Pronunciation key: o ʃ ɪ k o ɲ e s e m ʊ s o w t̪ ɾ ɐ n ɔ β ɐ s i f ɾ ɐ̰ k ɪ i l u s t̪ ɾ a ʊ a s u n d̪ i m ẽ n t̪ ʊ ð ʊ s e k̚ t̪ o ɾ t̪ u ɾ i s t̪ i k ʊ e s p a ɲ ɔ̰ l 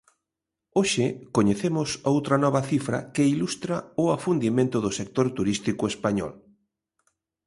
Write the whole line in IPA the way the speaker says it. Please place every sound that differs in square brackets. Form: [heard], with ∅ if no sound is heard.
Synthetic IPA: o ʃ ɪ k o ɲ e [θ] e m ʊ s o w t̪ ɾ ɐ n ɔ β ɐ [θ] i f ɾ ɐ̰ k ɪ i l u s t̪ ɾ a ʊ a [f] u n d̪ i m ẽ n t̪ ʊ ð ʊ s e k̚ t̪ o ɾ t̪ u ɾ i s t̪ i k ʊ e s p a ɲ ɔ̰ l

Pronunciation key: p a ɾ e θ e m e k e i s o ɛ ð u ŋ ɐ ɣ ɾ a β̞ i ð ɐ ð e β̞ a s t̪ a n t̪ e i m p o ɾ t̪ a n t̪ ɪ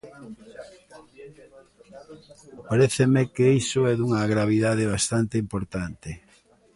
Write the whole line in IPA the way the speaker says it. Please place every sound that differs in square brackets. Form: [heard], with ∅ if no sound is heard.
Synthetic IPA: p a ɾ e θ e m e k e i s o ɛ ð u ŋ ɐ ɣ ɾ a β̞ i ð [a] ð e β̞ a s t̪ a n t̪ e i m p o ɾ t̪ a n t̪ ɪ

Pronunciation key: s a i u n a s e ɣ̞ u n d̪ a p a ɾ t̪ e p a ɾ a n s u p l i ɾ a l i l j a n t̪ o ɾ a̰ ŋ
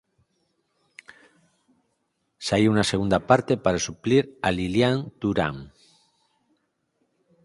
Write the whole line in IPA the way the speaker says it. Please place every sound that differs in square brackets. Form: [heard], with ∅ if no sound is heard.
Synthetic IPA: s a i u n a s e ɣ̞ u n d̪ a p a ɾ t̪ e p a ɾ a [∅] s u p l i ɾ a l i l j a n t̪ [u] ɾ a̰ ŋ

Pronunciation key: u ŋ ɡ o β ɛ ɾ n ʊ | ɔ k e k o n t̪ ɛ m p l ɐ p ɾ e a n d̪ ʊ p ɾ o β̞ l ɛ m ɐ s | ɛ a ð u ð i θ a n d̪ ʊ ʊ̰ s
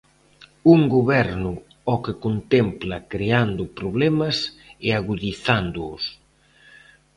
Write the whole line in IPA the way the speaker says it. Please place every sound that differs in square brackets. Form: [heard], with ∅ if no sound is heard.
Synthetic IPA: u ŋ ɡ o β ɛ ɾ n ʊ | ɔ k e k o n t̪ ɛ m p l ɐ [k] ɾ e a n d̪ ʊ p ɾ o β̞ l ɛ m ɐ s | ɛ a [ɣ] u ð i θ a n d̪ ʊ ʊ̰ s

